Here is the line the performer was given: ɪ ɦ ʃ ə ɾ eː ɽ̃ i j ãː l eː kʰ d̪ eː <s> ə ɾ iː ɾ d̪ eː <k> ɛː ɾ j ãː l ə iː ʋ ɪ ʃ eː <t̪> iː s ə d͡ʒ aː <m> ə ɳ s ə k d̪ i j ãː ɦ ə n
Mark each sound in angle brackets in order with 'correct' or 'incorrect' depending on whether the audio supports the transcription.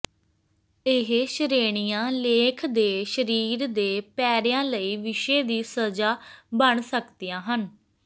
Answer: incorrect: ʃ, incorrect: p, incorrect: d̪, incorrect: b

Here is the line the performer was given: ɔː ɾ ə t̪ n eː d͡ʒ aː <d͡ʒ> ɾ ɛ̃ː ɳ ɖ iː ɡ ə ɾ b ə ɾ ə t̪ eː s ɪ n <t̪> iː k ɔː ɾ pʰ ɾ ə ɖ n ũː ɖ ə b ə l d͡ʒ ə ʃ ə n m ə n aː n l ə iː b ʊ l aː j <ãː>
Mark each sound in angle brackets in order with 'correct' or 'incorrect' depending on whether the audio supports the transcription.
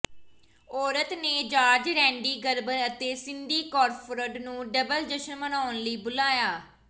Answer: correct, incorrect: d̪, incorrect: aː

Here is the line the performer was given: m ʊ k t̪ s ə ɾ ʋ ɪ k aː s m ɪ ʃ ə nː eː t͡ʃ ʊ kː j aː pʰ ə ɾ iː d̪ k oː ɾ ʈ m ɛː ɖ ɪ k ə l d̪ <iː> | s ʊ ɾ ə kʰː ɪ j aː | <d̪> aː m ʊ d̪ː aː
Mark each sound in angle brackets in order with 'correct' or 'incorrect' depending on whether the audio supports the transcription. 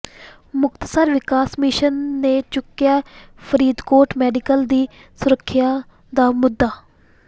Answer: correct, correct

